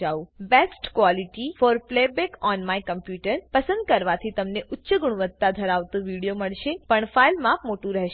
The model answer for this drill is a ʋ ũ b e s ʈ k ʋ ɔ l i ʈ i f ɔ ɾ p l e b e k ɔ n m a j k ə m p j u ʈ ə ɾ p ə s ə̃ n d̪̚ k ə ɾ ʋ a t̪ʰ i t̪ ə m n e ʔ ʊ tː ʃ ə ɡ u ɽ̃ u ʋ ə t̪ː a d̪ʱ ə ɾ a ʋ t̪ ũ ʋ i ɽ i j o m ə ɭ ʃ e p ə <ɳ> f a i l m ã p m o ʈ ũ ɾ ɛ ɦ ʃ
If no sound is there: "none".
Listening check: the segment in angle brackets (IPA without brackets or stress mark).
ɳ